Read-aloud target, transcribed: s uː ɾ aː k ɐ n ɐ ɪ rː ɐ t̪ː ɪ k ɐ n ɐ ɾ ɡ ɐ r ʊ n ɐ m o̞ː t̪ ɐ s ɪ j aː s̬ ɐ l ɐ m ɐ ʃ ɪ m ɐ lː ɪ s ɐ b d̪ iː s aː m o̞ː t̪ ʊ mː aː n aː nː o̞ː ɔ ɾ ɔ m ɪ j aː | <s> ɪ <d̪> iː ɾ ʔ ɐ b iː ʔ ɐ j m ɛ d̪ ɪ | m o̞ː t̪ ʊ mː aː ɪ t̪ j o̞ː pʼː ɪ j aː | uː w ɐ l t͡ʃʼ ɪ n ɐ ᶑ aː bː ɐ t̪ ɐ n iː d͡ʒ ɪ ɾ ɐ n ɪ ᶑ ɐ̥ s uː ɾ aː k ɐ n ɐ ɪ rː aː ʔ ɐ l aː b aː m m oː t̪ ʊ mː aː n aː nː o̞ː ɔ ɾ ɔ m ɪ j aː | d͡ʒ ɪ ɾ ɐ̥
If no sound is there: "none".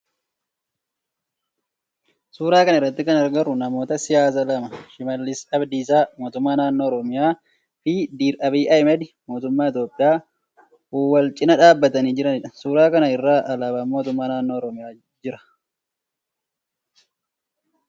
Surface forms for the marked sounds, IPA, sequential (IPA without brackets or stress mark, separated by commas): f, d̪